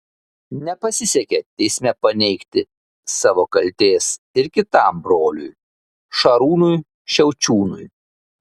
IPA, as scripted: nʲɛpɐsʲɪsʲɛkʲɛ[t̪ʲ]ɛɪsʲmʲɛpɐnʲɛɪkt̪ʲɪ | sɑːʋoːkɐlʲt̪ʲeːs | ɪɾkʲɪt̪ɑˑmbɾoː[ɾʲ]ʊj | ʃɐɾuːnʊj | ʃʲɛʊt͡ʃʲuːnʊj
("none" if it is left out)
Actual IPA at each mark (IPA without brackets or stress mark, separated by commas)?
t̪ʲ, lʲ